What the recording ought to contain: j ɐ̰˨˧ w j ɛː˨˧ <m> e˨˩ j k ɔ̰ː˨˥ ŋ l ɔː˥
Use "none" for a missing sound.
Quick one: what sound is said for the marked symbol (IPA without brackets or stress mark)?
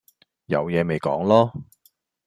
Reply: m